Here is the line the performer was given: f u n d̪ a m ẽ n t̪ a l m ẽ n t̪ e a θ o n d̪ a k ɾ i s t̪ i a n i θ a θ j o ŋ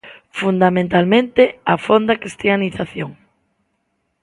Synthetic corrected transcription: f u n d̪ a m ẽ n t̪ a l m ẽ n t̪ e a f o n d̪ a k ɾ i s t̪ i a n i θ a θ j o ŋ